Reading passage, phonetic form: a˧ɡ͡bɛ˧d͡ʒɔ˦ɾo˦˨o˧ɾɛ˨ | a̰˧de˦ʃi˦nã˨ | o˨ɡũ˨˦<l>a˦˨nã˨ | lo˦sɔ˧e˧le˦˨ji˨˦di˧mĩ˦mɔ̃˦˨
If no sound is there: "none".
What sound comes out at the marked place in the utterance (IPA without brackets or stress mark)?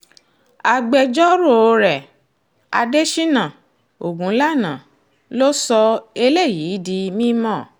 l